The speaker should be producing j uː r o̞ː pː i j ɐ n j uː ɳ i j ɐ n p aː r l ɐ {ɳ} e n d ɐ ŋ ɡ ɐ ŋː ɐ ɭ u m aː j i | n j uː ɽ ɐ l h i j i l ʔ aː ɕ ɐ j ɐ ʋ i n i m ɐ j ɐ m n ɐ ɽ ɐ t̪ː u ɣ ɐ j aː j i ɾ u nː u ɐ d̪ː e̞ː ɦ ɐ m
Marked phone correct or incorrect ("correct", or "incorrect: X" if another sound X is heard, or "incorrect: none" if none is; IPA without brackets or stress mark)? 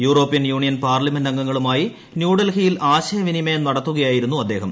incorrect: m